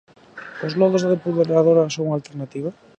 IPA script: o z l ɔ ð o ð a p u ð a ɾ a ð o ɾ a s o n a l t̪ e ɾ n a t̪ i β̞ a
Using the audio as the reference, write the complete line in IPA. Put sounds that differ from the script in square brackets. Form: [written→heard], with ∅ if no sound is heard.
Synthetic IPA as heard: o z l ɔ ð o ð [a→e] p u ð [a→e] ɾ a ð o ɾ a s o [n→ŋ] a l t̪ e ɾ n a t̪ i β̞ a